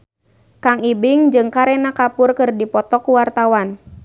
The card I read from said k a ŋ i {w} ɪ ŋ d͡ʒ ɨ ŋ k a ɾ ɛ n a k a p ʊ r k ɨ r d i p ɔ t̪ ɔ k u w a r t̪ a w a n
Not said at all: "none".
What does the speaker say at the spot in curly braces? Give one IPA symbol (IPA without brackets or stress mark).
b